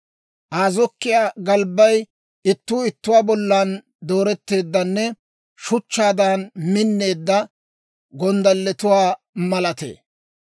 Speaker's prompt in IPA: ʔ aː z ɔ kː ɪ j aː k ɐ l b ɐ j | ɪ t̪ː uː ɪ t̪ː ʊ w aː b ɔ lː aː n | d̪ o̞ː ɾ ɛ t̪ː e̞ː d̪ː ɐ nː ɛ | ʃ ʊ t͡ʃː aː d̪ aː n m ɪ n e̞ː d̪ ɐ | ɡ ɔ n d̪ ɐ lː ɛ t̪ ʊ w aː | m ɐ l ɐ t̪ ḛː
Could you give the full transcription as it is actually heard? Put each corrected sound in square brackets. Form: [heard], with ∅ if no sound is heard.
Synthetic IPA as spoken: ʔ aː z ɔ kː ɪ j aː [ɡ] ɐ l b ɐ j | ɪ t̪ː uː ɪ t̪ː ʊ w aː b ɔ lː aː n | d̪ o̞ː ɾ ɛ t̪ː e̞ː d̪ː ɐ nː ɛ | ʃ ʊ t͡ʃː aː d̪ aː n m ɪ [nː] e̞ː [d̪ː] ɐ | ɡ ɔ n d̪ ɐ lː ɛ t̪ ʊ w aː | m ɐ l ɐ t̪ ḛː